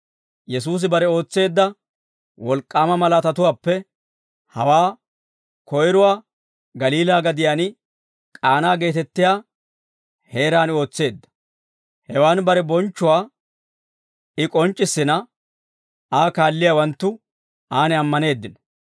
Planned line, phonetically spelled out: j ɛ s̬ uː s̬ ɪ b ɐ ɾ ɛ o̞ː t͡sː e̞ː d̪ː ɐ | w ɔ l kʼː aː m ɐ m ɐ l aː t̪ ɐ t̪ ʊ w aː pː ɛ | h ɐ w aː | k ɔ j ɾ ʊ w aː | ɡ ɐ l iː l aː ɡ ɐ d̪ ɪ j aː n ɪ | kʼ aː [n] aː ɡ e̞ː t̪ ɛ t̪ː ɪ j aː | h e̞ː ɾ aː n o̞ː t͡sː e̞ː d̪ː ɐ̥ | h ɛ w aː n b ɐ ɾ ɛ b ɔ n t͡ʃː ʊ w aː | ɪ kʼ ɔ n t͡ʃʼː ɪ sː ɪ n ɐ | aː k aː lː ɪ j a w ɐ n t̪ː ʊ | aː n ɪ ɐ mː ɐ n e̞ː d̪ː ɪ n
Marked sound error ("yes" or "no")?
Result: no